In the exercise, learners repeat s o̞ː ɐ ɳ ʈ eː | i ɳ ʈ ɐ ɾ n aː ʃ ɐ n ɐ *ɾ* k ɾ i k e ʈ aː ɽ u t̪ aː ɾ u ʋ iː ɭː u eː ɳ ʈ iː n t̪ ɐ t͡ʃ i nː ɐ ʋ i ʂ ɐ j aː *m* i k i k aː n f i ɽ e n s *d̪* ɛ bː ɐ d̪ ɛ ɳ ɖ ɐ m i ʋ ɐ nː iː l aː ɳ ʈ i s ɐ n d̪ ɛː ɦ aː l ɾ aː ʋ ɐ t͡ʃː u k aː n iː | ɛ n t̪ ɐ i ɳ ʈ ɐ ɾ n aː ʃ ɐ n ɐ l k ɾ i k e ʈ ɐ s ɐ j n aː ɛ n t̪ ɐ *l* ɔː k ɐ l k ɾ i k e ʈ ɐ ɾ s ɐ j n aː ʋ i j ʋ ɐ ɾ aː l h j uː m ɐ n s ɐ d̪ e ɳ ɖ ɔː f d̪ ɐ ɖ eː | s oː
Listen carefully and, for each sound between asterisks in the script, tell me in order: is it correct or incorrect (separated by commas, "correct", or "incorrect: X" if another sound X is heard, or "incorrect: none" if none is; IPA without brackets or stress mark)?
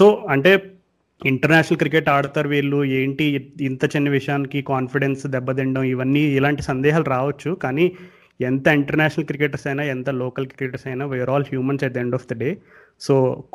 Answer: incorrect: l, incorrect: n, correct, correct